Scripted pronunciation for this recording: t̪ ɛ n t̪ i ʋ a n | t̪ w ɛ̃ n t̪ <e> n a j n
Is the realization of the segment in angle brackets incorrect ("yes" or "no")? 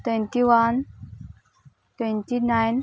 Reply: yes